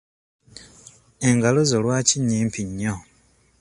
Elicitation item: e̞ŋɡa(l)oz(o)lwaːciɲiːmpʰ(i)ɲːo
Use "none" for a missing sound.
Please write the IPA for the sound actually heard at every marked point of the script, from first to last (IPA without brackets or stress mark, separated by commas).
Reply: l, o, i